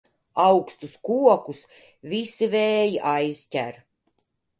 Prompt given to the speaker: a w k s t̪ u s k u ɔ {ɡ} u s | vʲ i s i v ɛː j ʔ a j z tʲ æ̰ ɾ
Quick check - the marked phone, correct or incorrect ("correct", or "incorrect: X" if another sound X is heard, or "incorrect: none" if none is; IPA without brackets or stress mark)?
incorrect: k